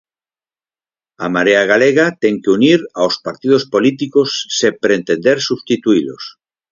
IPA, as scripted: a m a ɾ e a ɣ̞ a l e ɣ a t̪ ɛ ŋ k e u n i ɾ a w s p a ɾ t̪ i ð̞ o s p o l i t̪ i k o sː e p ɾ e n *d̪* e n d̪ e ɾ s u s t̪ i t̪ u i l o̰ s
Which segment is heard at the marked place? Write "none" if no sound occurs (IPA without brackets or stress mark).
t̪